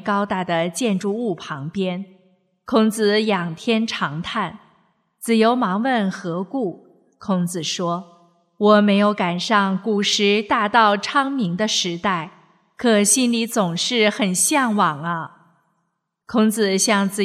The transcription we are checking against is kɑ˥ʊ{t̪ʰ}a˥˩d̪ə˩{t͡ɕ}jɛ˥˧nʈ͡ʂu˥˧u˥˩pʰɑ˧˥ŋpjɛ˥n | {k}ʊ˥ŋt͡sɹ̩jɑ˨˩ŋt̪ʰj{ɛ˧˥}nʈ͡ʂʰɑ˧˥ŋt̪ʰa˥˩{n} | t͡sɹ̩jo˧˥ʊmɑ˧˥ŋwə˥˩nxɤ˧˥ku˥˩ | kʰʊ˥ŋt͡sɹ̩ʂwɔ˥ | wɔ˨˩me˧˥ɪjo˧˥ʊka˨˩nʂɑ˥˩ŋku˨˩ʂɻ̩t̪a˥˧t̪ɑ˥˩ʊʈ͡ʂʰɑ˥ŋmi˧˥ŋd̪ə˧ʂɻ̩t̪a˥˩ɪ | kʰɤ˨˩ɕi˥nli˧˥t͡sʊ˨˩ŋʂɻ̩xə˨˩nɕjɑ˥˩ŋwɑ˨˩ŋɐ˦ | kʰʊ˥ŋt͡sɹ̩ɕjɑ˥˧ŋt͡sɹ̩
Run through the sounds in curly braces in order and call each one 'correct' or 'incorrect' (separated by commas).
incorrect, correct, incorrect, incorrect, correct